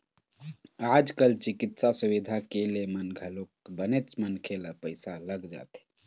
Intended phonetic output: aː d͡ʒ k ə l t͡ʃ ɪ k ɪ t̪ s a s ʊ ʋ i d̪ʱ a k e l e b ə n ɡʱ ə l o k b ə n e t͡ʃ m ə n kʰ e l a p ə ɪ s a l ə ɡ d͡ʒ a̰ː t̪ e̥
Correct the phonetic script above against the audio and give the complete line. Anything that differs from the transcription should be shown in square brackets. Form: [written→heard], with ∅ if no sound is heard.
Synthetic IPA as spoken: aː d͡ʒ k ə l t͡ʃ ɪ k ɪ t̪ s a s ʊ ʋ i d̪ʱ a k e l e [b→m] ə n ɡʱ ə l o k b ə n e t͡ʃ m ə n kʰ e l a p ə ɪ s a l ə ɡ d͡ʒ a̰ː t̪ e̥